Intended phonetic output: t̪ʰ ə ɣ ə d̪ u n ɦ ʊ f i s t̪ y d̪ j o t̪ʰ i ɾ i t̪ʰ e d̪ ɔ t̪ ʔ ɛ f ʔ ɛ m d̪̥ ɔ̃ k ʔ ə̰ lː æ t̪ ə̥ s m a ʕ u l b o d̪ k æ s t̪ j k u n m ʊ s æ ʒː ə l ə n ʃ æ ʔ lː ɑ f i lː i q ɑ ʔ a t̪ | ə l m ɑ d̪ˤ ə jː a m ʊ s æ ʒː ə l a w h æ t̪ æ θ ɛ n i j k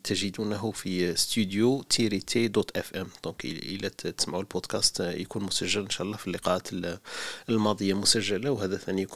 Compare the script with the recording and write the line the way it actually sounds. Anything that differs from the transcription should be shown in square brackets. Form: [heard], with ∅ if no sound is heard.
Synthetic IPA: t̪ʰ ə [ʒ] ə d̪ u n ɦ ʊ f i s t̪ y d̪ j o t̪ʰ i ɾ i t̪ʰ e d̪ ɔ t̪ ʔ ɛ f ʔ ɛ m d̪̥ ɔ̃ k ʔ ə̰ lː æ t̪ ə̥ s m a ʕ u l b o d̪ k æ s t̪ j k u n m ʊ s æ ʒː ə l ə n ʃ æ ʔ lː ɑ f i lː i q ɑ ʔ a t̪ | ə l m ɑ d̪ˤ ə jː a m ʊ s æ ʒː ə l a w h æ [d̪] æ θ [æ] n i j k